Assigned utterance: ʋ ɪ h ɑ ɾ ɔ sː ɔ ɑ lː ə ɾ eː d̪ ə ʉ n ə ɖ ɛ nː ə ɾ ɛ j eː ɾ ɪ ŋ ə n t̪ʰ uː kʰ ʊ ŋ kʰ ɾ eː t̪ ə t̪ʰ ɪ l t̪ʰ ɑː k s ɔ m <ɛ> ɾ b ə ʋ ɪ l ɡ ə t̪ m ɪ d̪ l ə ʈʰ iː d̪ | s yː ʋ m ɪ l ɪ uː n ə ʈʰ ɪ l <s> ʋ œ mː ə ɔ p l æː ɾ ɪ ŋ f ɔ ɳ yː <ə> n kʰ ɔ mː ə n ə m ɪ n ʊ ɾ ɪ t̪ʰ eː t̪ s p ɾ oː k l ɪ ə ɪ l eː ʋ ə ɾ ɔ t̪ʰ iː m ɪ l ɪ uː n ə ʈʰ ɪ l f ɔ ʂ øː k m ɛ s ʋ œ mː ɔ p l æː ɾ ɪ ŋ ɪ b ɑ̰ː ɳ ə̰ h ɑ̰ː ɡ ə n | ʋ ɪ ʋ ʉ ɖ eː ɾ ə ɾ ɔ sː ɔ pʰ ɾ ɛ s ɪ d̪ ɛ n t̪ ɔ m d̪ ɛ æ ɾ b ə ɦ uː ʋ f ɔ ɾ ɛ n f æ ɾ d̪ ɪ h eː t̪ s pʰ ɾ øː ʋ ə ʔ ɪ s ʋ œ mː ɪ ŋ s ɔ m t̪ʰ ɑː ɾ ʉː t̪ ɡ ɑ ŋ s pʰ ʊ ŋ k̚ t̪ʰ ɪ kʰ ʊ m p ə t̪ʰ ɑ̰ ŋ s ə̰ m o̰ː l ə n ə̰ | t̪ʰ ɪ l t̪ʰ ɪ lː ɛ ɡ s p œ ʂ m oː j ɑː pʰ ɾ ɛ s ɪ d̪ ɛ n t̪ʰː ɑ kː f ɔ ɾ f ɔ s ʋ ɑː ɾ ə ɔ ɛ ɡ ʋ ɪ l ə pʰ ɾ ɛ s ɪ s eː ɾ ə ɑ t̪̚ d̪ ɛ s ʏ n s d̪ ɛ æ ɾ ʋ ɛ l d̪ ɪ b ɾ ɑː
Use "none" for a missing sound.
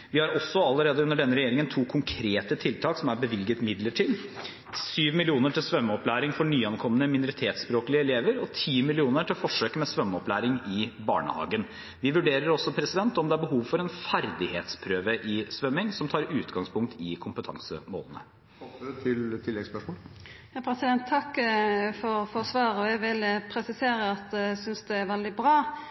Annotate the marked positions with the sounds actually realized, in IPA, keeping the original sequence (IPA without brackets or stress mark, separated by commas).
æ, s, ɑ